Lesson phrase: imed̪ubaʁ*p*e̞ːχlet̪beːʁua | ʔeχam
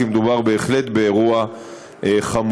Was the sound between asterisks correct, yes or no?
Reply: no